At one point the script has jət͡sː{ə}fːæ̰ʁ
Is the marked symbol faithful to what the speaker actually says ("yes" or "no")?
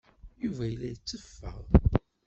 yes